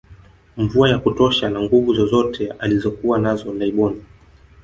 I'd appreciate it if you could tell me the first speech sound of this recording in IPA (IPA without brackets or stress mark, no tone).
ɱ